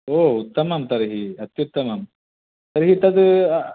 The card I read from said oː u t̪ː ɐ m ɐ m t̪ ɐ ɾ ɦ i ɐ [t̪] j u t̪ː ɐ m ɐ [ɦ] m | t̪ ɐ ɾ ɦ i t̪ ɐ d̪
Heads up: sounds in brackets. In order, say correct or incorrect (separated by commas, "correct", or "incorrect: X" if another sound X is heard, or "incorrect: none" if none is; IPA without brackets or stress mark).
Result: correct, incorrect: none